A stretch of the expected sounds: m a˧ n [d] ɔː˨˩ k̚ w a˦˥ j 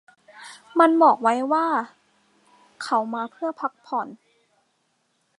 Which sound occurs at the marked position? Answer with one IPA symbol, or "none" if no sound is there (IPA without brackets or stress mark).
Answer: b